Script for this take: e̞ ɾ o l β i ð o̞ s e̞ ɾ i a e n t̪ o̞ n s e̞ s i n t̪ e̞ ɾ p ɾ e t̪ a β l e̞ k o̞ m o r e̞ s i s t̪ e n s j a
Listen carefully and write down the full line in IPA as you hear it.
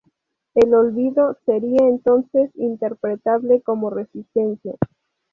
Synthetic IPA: e̞ l o l β i ð o̞ s e̞ ɾ i a e n t̪ o̞ n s e̞ s i n t̪ e̞ ɾ p ɾ e t̪ a β l e̞ k o̞ m o r e̞ s i s t̪ e n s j a